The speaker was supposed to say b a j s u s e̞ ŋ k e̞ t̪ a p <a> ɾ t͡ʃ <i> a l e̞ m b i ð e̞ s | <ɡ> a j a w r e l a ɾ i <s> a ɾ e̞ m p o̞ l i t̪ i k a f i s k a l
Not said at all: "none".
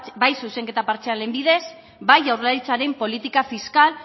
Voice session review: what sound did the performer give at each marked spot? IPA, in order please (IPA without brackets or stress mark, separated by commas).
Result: a, e, b, t͡s